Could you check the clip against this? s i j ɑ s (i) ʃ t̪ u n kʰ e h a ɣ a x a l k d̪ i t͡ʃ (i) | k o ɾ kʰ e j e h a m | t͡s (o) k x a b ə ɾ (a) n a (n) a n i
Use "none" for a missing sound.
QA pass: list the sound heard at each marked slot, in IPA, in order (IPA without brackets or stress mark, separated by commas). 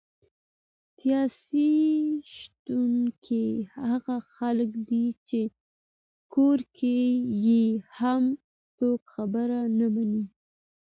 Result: i, e, o, a, m